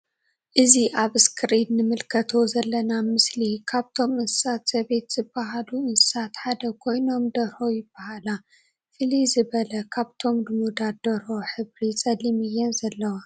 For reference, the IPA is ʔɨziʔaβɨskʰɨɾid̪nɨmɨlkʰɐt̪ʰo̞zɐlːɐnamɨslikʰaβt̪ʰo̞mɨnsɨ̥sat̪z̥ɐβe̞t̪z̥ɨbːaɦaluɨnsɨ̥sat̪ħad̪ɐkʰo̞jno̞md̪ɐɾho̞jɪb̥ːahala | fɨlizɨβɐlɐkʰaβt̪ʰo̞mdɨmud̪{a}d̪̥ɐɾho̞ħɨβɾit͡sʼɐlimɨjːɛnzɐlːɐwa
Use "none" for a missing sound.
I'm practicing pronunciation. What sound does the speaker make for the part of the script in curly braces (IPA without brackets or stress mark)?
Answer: a